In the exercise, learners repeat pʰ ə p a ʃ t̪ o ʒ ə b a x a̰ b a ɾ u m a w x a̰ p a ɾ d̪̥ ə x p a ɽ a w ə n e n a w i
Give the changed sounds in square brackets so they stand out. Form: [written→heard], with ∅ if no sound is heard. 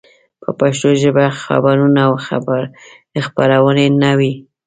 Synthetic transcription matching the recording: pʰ ə p a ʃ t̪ o ʒ ə b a x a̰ b a ɾ u [m→n] a w x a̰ [p→b] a ɾ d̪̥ ə x p a [ɽ→ɾ] a w ə n e n a w i